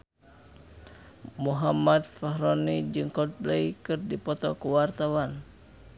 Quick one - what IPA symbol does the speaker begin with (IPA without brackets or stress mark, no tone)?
m